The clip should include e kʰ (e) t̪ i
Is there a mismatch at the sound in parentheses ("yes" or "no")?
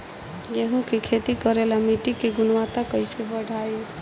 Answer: no